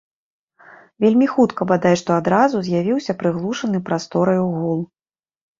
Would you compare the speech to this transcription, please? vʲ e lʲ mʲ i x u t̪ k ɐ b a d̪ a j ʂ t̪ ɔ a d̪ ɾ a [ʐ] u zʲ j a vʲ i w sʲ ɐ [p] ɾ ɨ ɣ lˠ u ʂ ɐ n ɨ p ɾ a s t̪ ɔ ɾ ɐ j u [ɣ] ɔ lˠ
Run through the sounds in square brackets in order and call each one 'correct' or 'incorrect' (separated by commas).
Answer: incorrect, correct, correct